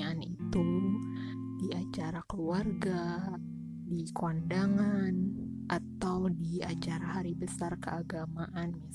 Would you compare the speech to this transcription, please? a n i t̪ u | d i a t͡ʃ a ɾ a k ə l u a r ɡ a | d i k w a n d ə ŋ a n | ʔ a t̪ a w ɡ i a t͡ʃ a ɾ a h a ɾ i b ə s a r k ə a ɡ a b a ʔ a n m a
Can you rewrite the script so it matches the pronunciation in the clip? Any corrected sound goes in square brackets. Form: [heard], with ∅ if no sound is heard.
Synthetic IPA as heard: a n i t̪ u | d i a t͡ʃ a ɾ a k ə l u a r ɡ a | d i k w a n d [a] ŋ a n | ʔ a t̪ a w [d] i a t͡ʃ a ɾ a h a ɾ i b ə s a r k ə a ɡ a [m] a ʔ a n m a